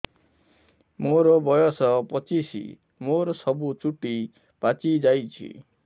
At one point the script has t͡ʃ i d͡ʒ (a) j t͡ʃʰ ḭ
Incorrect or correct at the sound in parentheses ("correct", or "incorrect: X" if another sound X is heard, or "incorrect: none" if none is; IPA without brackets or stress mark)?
correct